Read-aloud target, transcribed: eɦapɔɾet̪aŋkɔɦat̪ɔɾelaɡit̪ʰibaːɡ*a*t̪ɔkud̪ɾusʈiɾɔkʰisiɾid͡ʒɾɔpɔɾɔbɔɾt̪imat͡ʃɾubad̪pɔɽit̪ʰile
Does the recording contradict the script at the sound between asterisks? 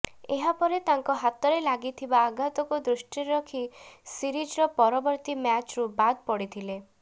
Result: no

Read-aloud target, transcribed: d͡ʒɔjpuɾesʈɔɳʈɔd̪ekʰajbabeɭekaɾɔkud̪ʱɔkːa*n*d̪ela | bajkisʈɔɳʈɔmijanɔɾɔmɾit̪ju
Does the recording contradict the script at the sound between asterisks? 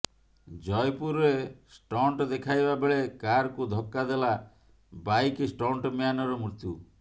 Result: yes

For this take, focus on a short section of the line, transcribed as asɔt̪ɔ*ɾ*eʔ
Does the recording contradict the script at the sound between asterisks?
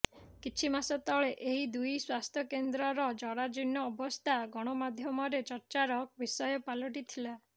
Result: yes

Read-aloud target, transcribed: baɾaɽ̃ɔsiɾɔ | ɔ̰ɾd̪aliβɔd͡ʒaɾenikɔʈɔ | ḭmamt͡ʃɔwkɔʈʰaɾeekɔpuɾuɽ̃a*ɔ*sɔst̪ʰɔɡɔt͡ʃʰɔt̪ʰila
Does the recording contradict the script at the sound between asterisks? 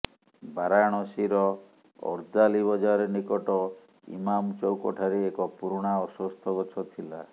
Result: no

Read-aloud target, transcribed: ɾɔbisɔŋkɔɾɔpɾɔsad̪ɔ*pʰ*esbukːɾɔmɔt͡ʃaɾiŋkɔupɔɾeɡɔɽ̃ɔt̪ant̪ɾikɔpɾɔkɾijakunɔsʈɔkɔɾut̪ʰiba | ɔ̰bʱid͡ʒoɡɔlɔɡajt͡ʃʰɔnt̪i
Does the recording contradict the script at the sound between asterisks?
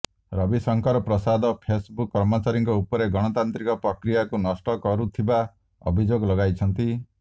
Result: no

